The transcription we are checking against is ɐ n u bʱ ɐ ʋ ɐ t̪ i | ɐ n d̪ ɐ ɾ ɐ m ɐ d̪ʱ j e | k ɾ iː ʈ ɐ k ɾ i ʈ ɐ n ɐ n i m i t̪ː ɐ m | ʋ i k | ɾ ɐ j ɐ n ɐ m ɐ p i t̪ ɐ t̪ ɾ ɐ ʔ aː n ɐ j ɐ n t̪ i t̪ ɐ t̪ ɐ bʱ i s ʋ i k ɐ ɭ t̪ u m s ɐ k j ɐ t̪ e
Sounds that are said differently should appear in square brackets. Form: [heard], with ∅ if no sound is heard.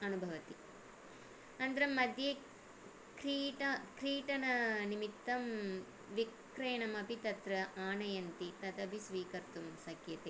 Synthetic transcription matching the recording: ɐ n u bʱ ɐ ʋ ɐ t̪ i | ɐ n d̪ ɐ ɾ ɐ m ɐ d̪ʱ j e | k ɾ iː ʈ ɐ k ɾ [iː] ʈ ɐ n ɐ n i m i t̪ː ɐ m | ʋ i k | ɾ ɐ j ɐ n ɐ m ɐ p i t̪ ɐ t̪ ɾ ɐ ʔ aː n ɐ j ɐ n t̪ i t̪ ɐ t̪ ɐ bʱ i s ʋ [iː] k ɐ [ɾ] t̪ u m s ɐ k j ɐ t̪ e

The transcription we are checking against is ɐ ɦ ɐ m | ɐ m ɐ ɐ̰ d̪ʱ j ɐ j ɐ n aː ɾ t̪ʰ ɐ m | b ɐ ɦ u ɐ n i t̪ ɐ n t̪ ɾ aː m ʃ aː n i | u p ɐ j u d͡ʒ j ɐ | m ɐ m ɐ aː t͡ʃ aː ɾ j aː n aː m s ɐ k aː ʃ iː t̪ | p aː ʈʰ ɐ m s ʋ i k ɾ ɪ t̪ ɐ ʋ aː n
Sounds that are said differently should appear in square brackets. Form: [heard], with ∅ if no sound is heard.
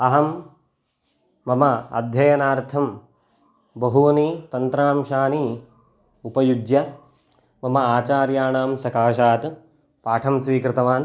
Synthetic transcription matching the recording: ɐ ɦ ɐ m | ɐ m ɐ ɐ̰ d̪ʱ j ɐ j ɐ n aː ɾ t̪ʰ ɐ m | b ɐ ɦ u ɐ n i t̪ ɐ n t̪ ɾ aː m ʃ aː n i | u p ɐ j u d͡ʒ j ɐ | m ɐ m ɐ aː t͡ʃ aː ɾ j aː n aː m s ɐ k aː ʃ [aː] t̪ | p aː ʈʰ ɐ m s ʋ [iː] k ɾ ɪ t̪ ɐ ʋ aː n

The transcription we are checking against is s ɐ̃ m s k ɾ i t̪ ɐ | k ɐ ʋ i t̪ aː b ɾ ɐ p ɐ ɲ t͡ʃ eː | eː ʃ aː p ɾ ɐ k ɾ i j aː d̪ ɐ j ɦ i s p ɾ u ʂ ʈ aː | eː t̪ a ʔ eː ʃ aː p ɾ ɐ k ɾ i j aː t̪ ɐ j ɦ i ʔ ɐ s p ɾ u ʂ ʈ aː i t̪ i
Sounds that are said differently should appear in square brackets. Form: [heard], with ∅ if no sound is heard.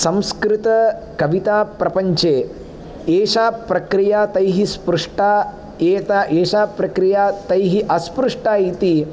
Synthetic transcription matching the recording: s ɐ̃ m s k ɾ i t̪ ɐ | k ɐ ʋ i t̪ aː [p] ɾ ɐ p ɐ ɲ t͡ʃ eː | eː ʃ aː p ɾ ɐ k ɾ i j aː [t̪] ɐ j ɦ i s p ɾ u ʂ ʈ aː | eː t̪ a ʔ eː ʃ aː p ɾ ɐ k ɾ i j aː t̪ ɐ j ɦ i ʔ ɐ s p ɾ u ʂ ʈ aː i t̪ i

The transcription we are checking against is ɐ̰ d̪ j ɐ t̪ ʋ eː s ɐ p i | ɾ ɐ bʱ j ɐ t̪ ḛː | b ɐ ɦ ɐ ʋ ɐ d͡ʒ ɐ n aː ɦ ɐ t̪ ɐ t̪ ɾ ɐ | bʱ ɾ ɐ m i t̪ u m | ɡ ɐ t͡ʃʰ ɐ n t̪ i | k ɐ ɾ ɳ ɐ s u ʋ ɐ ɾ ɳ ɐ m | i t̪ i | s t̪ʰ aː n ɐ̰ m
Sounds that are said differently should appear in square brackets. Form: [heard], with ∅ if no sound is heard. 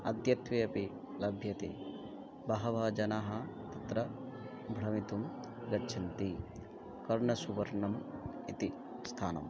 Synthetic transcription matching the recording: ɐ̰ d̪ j ɐ t̪ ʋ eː [∅] ɐ p i | [l] ɐ bʱ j ɐ t̪ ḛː | b ɐ ɦ ɐ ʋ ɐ d͡ʒ ɐ n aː ɦ ɐ t̪ ɐ t̪ ɾ ɐ | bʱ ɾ ɐ m i t̪ u m | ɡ ɐ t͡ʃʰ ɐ n t̪ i | k ɐ ɾ ɳ ɐ s u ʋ ɐ ɾ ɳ ɐ m | i t̪ i | s t̪ʰ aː n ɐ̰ m

